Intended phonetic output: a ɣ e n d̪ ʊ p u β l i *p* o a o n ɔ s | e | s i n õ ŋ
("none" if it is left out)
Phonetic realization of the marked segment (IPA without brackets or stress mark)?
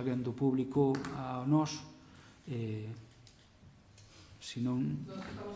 k